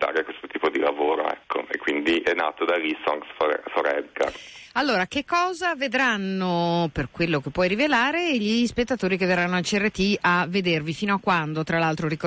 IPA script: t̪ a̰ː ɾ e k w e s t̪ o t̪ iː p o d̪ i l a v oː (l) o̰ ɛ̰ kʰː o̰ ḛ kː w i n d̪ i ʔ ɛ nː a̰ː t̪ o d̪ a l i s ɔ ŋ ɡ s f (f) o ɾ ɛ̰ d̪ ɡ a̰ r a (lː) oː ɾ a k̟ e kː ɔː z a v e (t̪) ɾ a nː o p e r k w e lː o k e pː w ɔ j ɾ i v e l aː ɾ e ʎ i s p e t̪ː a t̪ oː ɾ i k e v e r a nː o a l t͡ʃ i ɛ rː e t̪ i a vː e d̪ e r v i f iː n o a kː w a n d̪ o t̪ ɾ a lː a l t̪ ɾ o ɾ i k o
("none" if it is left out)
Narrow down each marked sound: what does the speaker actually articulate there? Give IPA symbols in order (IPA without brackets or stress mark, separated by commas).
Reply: ɾ, f, lː, d̪